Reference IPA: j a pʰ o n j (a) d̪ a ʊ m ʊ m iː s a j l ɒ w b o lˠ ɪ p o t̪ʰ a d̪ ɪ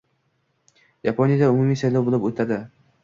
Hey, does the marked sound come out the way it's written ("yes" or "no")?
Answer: yes